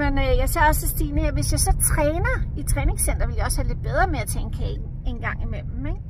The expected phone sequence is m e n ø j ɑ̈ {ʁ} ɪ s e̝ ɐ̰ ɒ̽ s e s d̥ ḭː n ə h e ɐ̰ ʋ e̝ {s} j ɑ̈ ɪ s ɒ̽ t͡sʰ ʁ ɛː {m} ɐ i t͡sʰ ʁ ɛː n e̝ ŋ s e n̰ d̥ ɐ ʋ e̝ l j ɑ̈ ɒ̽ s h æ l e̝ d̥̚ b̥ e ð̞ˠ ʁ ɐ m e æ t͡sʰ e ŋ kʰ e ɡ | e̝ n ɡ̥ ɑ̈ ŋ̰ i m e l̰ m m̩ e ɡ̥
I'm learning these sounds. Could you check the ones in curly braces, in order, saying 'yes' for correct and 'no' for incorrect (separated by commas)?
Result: no, yes, no